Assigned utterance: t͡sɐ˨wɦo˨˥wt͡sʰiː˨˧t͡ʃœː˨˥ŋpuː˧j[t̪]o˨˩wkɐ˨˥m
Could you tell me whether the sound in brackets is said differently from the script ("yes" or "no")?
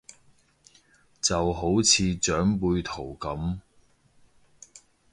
yes